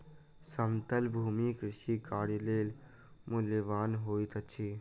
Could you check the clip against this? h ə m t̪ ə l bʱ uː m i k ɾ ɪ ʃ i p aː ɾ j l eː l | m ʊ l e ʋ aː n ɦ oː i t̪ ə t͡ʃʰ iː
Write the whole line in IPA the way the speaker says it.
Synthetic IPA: s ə m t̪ ə l bʱ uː m i k ɾ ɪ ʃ i k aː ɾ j l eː l | m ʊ l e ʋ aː n ɦ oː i t̪ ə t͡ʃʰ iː

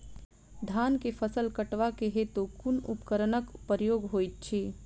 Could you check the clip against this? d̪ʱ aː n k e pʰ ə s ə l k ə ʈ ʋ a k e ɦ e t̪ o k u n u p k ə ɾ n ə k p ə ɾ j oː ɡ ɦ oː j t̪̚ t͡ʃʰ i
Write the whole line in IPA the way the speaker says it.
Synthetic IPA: d̪ʱ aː n k e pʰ ə s ə l k ə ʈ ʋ a k e ɦ e t̪ o k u n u p k ə ɾ n ə k p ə ɾ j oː ɡ ɦ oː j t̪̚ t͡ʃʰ i

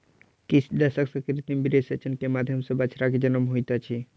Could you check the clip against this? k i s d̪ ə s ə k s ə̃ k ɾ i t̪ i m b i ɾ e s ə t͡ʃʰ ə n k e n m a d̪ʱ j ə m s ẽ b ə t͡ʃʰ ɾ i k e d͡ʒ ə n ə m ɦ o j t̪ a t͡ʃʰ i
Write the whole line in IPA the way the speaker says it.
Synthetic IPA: k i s d̪ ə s ə k s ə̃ k ɾ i t̪ i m b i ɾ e s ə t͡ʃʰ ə n k e m a d̪ʱ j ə m s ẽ b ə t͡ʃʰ ɾ a k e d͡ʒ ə n ə m ɦ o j t̪ a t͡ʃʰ i

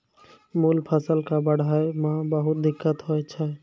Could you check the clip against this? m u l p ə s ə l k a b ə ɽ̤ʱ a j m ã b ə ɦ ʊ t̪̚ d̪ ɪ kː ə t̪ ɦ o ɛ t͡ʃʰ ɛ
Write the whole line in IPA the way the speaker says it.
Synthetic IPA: m u l pʰ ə s ə l k a b ə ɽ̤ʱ a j m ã b ə ɦ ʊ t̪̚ d̪ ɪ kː ə t̪ ɦ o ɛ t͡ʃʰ ɛ

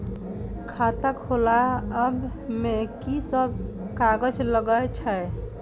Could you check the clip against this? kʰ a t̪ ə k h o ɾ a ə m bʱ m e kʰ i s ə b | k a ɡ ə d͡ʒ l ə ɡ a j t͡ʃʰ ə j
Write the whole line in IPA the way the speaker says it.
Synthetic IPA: kʰ a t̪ ə k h o l a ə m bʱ m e k i s ə b | k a ɡ ə d͡ʒ l ə ɡ ə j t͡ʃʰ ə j

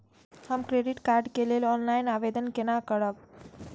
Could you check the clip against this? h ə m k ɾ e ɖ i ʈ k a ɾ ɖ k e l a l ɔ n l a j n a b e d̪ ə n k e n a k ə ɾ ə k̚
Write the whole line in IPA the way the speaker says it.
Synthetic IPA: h ə m k ɾ e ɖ i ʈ k a ɾ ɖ k e l e l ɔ n l a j n a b e d̪ ə n k e n a k ə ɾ ə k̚

